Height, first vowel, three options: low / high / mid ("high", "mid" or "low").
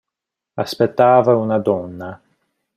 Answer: low